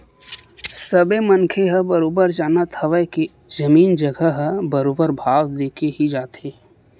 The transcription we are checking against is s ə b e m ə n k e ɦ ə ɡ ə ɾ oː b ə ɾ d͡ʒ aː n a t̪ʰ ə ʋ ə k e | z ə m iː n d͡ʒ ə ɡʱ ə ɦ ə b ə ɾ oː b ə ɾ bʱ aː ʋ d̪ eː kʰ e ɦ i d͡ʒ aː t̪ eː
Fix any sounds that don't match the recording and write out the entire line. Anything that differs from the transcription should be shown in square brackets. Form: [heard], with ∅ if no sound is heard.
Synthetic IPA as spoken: s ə b e m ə n [kʰ] e ɦ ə [b] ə ɾ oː b ə ɾ d͡ʒ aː n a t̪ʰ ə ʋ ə k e | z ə m iː n d͡ʒ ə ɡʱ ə ɦ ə b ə ɾ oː b ə ɾ bʱ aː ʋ d̪ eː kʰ e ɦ i d͡ʒ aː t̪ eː